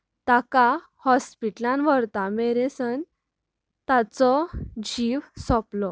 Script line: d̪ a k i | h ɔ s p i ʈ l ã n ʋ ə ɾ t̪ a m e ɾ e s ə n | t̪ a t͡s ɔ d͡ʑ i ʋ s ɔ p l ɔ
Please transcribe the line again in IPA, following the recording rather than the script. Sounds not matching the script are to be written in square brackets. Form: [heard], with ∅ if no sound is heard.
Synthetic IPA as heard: [t̪] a k [a] | h ɔ s p i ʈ l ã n ʋ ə ɾ t̪ a m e ɾ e s ə n | t̪ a t͡s ɔ d͡ʑ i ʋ s ɔ p l ɔ